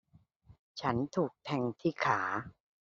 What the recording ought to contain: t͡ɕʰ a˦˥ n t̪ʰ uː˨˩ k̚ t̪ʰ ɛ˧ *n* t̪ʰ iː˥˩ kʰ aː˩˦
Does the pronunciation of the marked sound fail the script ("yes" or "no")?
yes